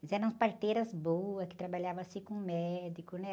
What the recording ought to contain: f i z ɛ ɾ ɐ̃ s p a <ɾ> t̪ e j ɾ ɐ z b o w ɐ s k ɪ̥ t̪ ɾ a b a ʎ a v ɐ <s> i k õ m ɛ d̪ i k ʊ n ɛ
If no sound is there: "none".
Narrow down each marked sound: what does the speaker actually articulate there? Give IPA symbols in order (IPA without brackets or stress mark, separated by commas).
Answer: ɾ, s